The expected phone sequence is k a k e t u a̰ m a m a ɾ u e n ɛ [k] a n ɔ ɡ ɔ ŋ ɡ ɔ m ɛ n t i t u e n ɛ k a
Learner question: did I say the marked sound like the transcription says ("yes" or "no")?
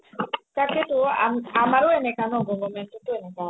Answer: yes